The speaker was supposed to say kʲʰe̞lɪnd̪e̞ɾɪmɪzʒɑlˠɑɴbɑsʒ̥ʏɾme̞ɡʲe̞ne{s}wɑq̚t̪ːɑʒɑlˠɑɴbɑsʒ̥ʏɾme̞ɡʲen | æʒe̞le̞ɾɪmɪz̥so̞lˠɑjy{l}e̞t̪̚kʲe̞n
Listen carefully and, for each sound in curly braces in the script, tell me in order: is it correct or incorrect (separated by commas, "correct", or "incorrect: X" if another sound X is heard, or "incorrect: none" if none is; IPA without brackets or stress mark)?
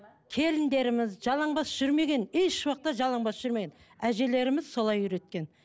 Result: incorrect: ʃ, incorrect: ɾ